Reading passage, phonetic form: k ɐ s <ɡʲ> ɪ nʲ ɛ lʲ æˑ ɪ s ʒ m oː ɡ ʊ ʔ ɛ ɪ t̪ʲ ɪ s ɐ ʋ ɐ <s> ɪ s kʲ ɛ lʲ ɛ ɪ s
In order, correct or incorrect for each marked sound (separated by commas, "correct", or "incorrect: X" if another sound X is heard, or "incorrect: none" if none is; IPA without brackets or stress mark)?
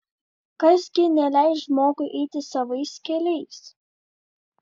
correct, incorrect: none